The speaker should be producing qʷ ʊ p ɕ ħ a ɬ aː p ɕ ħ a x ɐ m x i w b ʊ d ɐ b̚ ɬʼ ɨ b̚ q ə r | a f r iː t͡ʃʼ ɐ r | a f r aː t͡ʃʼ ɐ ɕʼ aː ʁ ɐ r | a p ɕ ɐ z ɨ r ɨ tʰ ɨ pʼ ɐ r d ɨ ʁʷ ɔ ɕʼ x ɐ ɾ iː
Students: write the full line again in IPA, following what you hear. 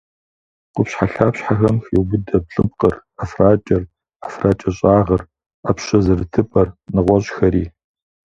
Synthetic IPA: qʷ ʊ p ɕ ħ a ɬ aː p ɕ ħ a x ɐ m x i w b ʊ d ɐ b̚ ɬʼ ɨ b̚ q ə r | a f r aː t͡ʃʼ ɐ r | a f r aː t͡ʃʼ ɐ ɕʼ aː ʁ ɐ r | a p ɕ ɐ z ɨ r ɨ tʰ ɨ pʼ ɐ r n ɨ ʁʷ ɔ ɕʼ x ɐ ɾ iː

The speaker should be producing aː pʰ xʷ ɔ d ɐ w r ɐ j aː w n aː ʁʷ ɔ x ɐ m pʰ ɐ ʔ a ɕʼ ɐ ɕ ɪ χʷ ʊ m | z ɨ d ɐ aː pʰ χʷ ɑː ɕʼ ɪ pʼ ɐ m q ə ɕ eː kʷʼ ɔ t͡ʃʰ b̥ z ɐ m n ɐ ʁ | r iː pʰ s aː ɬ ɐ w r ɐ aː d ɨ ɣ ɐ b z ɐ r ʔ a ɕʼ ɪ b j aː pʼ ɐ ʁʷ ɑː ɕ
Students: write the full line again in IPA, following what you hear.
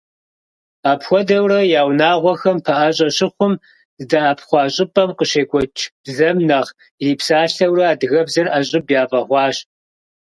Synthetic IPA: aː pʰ xʷ ɔ d ɐ w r ɐ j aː w n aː ʁʷ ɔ x ɐ m pʰ ɐ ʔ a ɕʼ ɐ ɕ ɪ χʷ ʊ m | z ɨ d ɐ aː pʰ χʷ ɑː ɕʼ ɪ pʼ ɐ m q ə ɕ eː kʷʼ ɔ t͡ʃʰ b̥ z ɐ m n ɐ ʁ | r iː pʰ s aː ɬ ɐ w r ɐ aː d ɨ ɣ ɐ b z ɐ r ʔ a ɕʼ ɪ b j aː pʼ ɐ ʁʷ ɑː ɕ

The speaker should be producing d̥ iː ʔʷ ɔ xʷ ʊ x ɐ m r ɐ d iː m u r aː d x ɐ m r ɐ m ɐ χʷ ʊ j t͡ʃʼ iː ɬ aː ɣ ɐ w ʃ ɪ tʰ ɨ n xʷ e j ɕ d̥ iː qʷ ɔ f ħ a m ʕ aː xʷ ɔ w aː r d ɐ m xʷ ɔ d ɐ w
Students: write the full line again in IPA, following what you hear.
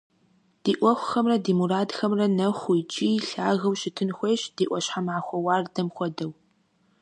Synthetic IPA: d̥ iː ʔʷ ɔ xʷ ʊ x ɐ m r ɐ d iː m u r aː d x ɐ m r ɐ n ɐ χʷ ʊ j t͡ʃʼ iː ɬ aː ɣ ɐ w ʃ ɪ tʰ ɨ n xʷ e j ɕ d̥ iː ʔʷ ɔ ɕ ħ a m ʕ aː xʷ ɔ w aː r d ɐ m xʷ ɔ d ɐ w

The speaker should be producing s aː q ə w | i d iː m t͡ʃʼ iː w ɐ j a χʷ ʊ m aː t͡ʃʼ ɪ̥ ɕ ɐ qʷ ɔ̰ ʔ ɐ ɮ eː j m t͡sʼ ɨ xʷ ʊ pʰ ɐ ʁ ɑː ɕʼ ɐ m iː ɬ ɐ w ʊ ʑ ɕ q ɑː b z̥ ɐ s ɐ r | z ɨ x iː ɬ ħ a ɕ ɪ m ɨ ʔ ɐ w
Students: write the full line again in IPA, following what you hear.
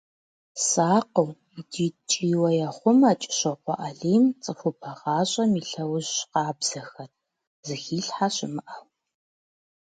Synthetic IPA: s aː q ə w | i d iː t͡ʃʼ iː w ɐ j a χʷ ʊ m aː t͡ʃʼ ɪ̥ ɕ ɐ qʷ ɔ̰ ʔ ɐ ɮ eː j m t͡sʼ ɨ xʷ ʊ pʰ ɐ ʁ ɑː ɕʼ ɐ m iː ɬ ɐ w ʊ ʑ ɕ q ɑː b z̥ ɐ x ɐ r | z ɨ x iː ɬ ħ a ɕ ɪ m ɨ ʔ ɐ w

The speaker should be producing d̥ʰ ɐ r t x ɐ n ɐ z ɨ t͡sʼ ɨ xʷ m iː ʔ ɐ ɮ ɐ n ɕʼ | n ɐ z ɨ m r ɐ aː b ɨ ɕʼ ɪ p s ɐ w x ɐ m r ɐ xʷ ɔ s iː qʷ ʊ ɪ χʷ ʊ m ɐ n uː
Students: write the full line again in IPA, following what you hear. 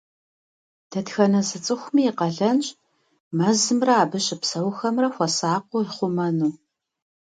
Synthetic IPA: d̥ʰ ɐ t x ɐ n ɐ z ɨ t͡sʼ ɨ xʷ m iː q ɐ ɮ ɐ n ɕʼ | m ɐ z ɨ m r ɐ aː b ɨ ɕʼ ɪ p s ɐ w x ɐ m r ɐ xʷ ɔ s aː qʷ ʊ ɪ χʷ ʊ m ɐ n uː

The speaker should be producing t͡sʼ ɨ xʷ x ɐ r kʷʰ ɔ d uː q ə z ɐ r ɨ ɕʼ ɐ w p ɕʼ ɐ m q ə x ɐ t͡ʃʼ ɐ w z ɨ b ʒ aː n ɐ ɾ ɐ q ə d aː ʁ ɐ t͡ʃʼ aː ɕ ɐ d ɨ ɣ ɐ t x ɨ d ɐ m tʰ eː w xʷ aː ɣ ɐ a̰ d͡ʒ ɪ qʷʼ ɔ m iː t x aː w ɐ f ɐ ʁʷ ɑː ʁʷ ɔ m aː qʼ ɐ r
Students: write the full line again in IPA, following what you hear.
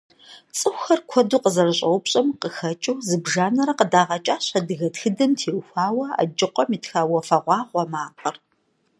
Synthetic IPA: t͡sʼ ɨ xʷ x ɐ r kʷʰ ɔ d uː q ə z ɐ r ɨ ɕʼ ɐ w p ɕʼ ɐ m q ə x ɐ t͡ʃʼ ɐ w z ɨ b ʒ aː n ɐ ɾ ɐ q ə d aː ʁ ɐ t͡ʃʼ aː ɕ ɐ d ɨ ɣ ɐ t x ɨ d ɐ m tʰ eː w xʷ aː w ɐ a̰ d͡ʒ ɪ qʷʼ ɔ m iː t x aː w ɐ f ɐ ʁʷ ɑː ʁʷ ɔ m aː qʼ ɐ r

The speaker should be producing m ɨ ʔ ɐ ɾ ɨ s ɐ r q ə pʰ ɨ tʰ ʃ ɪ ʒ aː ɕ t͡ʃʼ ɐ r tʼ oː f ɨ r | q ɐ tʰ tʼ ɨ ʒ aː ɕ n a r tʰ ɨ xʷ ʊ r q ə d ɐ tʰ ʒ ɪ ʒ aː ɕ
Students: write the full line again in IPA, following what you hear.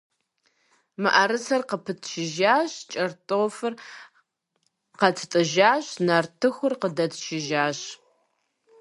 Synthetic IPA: m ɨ ʔ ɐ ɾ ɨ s ɐ r q ə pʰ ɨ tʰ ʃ ɪ ʒ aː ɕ t͡ʃʼ ɐ r tʼ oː f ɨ r | q ɐ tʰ tʼ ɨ ʒ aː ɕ n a r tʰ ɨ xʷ ʊ r q ə d ɐ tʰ ʃ ɪ ʒ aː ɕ

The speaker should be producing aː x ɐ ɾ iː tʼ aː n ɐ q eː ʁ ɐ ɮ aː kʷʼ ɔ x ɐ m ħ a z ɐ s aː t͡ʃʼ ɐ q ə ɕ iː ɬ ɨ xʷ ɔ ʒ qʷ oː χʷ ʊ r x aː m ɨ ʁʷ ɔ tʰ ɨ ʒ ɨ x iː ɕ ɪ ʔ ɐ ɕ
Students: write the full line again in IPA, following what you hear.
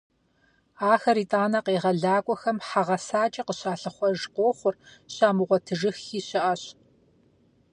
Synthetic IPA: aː x ɐ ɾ iː tʼ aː n ɐ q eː ʁ ɐ ɮ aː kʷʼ ɔ x ɐ m ħ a ʁ ɐ s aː t͡ʃʼ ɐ q ə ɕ aː ɬ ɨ χʷ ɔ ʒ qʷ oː χʷ ʊ r ɕ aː m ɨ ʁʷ ɔ tʰ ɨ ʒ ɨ x iː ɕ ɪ ʔ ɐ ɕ

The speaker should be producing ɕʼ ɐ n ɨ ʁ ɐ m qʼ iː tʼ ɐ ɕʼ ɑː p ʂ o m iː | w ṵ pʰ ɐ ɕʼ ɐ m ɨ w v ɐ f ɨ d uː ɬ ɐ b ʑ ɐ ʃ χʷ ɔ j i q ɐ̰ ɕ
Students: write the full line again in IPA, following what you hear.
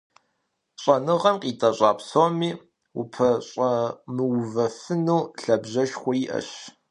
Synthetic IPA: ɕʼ ɐ n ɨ ʁ ɐ m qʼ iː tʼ ɐ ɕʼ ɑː p s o m iː | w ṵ pʰ ɐ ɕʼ ɐ m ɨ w v ɐ f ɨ n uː ɬ ɐ b ʑ ɐ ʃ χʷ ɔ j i ʔ ɐ̰ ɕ

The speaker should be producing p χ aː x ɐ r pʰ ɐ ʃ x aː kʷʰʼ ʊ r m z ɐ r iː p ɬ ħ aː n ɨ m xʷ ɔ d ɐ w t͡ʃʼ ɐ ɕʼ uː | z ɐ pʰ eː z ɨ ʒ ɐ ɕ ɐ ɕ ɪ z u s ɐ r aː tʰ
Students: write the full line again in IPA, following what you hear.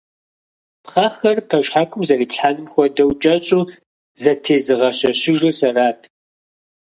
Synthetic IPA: p χ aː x ɐ r pʰ ɐ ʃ ħ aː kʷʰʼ ʊ m z ɐ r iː p ɬ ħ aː n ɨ m xʷ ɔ d ɐ w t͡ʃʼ ɐ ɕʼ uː | z ɐ tʰ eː z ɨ ʁ ɐ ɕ ɐ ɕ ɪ ʒ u s ɐ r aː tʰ

